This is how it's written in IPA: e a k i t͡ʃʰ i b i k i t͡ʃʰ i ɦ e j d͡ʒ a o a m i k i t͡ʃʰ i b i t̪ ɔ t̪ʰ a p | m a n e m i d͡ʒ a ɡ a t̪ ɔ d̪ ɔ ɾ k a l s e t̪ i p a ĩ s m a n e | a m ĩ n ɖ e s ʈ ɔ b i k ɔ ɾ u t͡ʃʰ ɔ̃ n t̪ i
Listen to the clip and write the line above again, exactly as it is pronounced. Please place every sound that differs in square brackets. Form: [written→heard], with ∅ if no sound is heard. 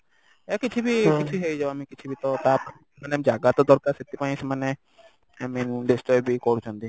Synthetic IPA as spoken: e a k i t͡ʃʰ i b i k i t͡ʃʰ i ɦ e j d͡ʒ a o a m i k i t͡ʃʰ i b i t̪ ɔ [t̪ʰ→t̪] a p | m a n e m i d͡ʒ a ɡ a t̪ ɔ d̪ ɔ ɾ k a [l→ɾ] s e t̪ i p a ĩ s m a n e | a m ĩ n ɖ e s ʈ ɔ b i k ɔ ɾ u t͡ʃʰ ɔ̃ n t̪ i